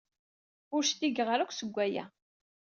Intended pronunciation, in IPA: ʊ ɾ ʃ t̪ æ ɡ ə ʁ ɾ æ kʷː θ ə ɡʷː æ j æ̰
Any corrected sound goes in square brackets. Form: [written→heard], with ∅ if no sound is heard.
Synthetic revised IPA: ʊ ɾ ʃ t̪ [æ→i] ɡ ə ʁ ɾ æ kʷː [θ→s] ə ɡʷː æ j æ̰